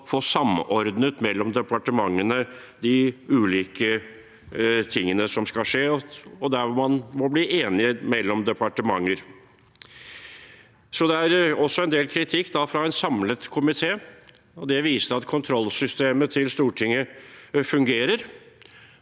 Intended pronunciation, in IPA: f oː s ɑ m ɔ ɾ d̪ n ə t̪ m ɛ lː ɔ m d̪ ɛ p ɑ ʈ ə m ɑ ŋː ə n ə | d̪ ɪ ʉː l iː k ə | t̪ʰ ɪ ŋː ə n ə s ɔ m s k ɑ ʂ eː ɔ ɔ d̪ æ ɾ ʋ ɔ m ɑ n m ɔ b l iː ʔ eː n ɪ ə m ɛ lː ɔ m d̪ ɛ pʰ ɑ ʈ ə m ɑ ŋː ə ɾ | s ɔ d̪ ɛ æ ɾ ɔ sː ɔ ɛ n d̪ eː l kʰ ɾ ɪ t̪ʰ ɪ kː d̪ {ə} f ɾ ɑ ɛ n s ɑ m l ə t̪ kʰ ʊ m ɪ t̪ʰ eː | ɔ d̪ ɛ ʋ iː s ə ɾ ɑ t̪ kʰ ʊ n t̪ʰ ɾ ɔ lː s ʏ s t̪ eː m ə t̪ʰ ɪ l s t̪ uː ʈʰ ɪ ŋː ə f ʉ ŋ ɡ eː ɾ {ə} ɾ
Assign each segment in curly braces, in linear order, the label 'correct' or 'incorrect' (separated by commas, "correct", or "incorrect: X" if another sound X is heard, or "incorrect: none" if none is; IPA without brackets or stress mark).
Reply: incorrect: ɑ, correct